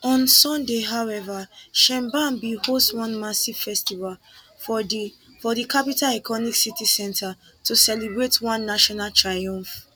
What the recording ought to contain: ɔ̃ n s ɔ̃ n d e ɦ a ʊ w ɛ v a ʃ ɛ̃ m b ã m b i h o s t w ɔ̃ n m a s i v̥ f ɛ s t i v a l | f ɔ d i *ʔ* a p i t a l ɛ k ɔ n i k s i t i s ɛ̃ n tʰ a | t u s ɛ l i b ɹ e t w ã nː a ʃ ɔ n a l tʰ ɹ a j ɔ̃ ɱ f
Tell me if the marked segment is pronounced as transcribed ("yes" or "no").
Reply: no